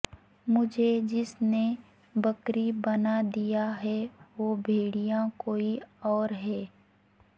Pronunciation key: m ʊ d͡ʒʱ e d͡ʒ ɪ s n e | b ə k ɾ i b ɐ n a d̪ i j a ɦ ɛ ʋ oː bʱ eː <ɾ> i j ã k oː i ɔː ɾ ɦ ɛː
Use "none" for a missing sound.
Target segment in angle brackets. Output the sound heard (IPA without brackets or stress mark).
ɽ